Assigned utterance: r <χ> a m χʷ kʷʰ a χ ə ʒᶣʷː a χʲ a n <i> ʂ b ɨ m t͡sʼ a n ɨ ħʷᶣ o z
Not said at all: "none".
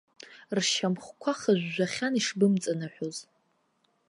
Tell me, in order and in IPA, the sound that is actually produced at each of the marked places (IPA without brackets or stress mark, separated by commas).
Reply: ʃ, i